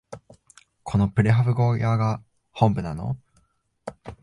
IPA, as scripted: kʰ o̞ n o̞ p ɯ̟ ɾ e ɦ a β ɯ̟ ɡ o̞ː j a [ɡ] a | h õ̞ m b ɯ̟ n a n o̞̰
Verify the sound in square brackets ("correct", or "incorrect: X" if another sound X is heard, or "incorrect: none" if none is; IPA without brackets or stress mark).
correct